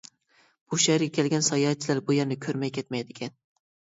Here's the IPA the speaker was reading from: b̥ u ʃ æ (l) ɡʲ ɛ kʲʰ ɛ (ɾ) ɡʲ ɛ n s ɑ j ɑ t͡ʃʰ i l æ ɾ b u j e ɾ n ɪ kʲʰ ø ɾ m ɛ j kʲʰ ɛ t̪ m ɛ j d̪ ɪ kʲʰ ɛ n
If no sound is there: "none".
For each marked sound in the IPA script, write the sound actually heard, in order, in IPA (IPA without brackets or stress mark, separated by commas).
ɾ, l